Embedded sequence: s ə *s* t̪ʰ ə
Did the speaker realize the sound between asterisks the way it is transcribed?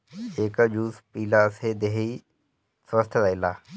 yes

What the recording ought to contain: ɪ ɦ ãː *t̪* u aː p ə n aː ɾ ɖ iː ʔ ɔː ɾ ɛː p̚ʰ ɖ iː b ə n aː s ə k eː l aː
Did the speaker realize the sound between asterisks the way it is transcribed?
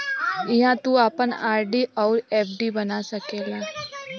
yes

